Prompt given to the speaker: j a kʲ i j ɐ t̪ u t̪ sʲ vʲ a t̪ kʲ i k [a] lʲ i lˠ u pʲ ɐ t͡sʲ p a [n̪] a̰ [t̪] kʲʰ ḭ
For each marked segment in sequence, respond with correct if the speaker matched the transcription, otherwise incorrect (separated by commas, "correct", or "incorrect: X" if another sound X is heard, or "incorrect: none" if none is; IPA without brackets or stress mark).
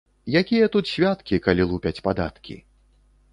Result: correct, incorrect: d̪, correct